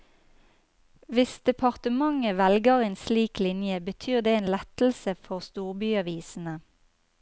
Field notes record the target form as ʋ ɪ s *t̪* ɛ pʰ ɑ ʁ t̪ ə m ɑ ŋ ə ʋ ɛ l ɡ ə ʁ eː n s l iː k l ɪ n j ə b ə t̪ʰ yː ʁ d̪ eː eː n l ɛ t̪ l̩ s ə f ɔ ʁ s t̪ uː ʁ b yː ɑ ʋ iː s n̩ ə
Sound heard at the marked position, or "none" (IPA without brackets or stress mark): d̪